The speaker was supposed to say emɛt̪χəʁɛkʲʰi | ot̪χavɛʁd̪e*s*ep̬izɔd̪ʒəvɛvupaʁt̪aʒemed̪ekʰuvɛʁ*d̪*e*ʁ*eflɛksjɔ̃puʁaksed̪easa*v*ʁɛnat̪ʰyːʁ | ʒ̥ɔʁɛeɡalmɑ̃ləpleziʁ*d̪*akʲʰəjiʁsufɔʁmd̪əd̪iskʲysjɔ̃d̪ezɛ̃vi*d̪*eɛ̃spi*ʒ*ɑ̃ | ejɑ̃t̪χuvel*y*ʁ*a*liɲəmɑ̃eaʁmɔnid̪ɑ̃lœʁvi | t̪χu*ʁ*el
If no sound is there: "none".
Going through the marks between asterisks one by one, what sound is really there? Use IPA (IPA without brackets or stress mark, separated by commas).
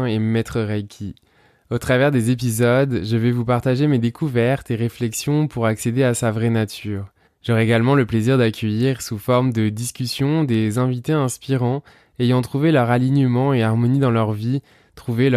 z, t̪, ʁ, v, d̪, t̪, ʁ, œ, a, v